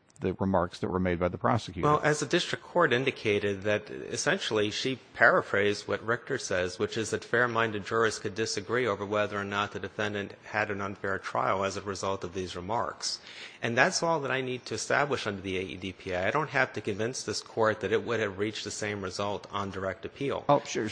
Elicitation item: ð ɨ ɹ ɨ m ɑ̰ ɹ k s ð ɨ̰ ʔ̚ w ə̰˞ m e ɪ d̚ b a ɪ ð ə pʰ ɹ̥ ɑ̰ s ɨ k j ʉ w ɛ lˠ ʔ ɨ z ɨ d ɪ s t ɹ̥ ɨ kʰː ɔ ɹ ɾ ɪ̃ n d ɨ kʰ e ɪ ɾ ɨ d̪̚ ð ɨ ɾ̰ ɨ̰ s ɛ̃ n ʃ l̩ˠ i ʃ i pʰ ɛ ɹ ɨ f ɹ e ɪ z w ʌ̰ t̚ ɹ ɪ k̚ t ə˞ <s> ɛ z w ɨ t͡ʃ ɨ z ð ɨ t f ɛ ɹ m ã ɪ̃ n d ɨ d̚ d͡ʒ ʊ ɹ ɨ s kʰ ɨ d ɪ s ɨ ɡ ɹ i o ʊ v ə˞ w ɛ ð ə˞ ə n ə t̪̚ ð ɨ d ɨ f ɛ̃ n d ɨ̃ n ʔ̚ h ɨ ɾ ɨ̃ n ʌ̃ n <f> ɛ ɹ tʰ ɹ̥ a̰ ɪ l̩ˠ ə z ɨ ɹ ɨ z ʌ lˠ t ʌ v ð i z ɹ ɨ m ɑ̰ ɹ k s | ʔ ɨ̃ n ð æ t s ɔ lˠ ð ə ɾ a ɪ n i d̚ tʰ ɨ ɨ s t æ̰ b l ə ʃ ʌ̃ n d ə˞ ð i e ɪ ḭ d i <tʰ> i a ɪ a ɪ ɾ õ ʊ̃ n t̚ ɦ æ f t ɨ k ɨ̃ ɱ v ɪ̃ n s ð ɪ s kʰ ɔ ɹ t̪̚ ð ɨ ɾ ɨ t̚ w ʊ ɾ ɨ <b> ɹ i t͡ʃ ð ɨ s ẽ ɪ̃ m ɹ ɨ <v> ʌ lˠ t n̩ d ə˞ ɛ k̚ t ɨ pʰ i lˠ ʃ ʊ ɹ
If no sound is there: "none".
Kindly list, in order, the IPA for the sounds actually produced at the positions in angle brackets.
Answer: s, f, pʰ, v, z

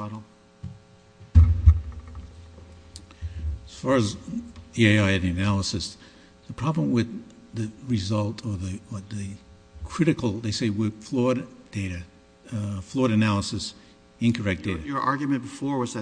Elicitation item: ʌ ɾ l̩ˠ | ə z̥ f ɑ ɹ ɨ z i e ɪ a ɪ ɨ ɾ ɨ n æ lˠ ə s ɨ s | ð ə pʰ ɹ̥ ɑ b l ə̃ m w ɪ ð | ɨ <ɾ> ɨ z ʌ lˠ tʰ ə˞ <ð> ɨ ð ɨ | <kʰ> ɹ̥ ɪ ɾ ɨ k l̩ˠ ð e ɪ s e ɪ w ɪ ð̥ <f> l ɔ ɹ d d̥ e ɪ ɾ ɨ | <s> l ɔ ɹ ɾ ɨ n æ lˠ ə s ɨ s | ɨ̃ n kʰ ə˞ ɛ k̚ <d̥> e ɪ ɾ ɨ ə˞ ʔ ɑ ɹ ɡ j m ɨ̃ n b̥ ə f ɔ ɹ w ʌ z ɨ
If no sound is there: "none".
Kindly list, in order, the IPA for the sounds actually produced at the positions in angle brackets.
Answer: ɹ, ð, kʰ, f, f, d̥

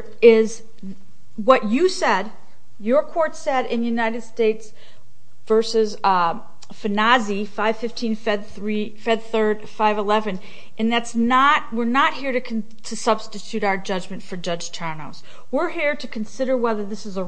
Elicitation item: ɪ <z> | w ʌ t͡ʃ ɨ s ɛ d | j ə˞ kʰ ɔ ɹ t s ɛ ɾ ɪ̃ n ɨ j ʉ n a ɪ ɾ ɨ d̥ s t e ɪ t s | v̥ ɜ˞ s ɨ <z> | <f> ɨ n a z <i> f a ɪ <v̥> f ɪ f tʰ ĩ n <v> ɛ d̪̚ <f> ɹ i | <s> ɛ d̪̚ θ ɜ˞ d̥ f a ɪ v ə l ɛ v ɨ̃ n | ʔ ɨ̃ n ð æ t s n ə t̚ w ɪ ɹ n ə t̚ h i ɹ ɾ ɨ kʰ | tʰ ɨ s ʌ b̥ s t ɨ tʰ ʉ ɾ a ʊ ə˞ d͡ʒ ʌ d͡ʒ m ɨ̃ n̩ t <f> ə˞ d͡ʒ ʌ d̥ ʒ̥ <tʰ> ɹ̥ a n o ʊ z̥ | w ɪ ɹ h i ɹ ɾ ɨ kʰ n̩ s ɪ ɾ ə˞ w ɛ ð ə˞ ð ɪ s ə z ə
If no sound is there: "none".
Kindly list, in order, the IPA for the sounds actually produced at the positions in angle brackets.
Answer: z, z, f, i, v̥, f, θ, f, f, tʰ

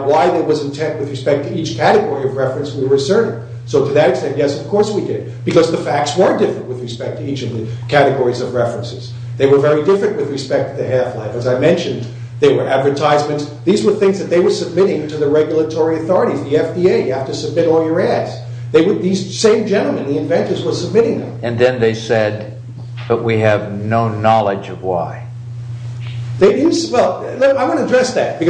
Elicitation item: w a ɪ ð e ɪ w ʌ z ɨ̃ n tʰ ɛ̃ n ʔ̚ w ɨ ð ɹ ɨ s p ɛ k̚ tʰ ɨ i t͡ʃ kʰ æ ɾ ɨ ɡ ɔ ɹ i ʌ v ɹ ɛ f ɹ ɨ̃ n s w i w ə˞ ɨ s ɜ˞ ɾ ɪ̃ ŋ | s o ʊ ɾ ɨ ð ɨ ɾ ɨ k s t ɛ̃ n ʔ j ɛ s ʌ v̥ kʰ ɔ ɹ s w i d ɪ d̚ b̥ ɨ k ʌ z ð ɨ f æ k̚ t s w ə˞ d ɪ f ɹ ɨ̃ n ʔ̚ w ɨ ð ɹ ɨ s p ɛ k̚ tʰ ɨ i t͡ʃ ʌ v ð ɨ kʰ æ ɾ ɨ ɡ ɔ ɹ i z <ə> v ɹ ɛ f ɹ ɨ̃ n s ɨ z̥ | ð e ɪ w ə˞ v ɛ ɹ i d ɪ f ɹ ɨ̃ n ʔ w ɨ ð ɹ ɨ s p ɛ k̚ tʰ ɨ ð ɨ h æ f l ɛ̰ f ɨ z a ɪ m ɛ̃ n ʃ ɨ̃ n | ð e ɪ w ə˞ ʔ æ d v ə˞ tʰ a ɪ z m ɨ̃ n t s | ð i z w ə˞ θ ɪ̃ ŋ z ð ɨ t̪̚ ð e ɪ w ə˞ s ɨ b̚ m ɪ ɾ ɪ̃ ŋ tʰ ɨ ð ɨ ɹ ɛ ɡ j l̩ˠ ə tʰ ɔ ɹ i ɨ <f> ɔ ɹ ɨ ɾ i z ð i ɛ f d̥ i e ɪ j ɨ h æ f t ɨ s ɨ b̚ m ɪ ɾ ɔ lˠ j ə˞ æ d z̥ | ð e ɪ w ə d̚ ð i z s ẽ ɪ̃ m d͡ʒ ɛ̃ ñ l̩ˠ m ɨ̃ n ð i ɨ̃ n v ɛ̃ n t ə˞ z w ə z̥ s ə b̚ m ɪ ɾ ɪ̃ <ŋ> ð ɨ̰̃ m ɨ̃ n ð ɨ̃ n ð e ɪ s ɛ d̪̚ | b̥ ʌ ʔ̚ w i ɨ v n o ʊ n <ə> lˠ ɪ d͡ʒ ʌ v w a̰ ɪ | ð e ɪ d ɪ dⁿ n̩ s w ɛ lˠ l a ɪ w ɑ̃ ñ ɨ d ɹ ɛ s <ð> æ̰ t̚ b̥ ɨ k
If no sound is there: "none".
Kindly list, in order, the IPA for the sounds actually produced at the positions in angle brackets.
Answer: ʌ, θ, ŋ, ɑ, ð

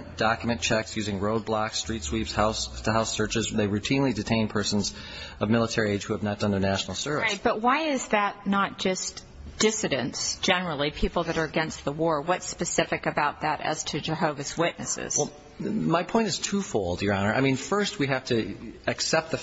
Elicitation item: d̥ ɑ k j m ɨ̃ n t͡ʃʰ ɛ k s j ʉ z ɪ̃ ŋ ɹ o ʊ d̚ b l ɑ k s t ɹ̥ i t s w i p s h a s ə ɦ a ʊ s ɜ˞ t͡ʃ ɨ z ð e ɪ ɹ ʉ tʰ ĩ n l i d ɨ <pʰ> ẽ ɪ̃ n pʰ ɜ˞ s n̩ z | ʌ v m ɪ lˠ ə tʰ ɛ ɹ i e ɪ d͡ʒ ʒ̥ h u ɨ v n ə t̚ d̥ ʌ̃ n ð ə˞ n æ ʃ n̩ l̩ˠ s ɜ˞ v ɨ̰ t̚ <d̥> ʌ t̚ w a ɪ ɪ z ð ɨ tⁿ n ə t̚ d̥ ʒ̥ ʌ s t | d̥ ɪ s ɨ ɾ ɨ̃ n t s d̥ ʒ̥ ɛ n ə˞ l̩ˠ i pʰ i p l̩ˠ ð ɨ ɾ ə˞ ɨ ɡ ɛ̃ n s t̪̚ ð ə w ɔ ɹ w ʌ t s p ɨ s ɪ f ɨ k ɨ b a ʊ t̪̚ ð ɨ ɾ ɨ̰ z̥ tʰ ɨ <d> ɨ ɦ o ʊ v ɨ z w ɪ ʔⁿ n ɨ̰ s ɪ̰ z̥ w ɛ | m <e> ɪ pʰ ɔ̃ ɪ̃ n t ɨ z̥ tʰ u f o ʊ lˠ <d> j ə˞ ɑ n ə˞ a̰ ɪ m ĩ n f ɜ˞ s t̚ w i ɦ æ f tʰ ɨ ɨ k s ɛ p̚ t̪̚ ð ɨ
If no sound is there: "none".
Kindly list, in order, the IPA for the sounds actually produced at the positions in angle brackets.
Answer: tʰ, b̥, d͡ʒ, a, d

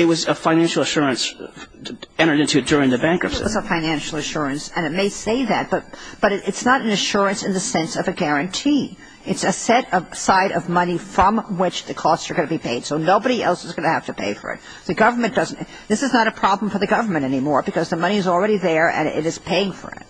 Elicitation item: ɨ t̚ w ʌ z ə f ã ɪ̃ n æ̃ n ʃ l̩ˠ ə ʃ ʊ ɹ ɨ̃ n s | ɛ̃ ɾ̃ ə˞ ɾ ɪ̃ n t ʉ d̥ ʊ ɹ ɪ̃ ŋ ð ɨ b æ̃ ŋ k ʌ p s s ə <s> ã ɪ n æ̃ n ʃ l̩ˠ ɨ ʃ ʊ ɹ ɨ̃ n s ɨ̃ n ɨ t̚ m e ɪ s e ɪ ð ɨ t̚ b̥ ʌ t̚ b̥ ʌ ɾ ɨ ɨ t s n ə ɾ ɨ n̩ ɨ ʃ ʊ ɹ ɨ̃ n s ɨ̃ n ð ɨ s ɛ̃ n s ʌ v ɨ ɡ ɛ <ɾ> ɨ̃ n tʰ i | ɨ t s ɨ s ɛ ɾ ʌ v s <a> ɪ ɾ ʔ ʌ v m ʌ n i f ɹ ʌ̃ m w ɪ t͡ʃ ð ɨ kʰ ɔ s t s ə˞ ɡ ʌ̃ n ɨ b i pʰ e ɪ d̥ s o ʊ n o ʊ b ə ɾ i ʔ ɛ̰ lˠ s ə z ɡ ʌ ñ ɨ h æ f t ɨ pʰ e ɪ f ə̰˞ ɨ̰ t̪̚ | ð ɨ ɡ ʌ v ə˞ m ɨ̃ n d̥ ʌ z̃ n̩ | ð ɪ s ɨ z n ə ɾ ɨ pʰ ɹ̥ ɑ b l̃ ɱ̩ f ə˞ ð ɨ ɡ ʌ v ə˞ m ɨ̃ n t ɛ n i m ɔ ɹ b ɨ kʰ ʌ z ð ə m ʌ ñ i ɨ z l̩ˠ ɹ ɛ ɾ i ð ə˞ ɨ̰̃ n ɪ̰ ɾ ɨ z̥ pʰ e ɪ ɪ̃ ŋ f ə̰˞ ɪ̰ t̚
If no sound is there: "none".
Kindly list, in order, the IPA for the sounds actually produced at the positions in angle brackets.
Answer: f, ɹ, a

